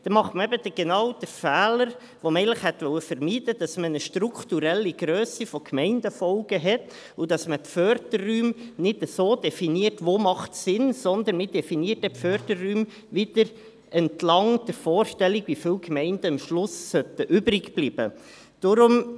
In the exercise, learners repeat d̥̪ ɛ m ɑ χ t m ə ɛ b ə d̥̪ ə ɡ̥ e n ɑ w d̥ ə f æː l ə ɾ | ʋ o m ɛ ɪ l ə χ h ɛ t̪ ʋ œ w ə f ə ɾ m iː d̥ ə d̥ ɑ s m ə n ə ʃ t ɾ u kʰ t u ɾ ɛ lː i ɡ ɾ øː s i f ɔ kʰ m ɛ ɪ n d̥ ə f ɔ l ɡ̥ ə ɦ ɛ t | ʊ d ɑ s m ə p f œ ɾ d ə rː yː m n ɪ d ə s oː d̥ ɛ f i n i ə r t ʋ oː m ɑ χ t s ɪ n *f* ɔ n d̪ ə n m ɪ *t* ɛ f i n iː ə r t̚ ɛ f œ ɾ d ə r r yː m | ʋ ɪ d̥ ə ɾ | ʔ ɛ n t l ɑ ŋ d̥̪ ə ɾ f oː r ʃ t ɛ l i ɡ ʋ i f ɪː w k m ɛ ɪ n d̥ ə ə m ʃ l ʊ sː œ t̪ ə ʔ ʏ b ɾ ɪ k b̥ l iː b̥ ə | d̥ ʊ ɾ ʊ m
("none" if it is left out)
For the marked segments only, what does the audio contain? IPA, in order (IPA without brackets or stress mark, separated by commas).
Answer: s, d